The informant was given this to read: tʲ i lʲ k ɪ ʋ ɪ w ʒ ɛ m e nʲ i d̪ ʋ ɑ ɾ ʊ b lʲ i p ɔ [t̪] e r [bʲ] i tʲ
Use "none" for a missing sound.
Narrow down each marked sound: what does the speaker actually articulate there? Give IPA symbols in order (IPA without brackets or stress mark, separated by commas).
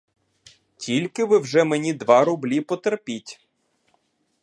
t̪, pʲ